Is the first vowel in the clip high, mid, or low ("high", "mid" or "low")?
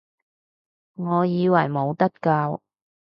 mid